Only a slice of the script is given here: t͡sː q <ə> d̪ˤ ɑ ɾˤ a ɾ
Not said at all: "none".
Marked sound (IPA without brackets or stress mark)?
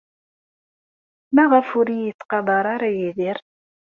ɑ